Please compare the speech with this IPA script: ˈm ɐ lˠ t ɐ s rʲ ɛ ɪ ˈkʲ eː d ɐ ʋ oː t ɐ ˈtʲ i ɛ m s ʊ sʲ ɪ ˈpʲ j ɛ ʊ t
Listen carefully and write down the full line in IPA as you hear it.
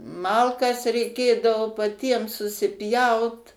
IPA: ˈm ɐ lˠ k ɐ s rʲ ɛ ɪ ˈkʲ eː d ɐ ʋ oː p ɐ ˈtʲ i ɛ m s ʊ sʲ ɪ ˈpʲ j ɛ ʊ t